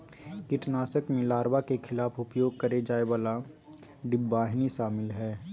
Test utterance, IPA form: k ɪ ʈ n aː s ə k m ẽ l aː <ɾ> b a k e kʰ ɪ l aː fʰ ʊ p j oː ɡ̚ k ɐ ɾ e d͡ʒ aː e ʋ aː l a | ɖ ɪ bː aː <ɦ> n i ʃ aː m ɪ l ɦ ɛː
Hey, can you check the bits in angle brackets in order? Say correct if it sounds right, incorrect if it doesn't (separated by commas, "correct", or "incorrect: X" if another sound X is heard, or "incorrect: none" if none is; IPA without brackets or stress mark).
correct, correct